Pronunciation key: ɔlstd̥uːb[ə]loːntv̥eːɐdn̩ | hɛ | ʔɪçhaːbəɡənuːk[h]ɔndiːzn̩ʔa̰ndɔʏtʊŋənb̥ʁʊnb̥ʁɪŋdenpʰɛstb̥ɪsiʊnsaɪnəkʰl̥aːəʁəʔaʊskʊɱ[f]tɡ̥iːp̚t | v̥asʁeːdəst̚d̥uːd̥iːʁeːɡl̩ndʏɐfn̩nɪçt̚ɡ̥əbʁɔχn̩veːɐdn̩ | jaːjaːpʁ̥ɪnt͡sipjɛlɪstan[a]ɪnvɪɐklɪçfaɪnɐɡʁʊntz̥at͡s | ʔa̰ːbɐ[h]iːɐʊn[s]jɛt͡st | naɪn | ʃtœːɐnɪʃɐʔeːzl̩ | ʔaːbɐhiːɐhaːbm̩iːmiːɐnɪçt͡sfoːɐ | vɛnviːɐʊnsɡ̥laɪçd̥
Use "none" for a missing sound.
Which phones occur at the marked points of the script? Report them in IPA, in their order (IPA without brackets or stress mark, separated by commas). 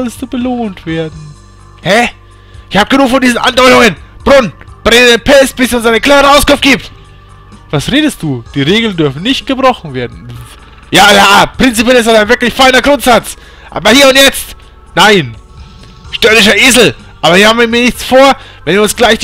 ə, f, f, a, h, t